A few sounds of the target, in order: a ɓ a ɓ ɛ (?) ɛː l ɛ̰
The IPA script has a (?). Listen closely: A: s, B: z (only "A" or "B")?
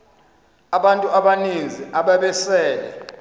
A